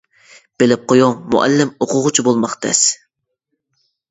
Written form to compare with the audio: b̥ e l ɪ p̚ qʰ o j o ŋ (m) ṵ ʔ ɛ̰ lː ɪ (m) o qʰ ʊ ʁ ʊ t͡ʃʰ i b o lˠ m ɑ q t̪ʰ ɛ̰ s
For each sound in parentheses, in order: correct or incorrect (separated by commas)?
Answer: correct, correct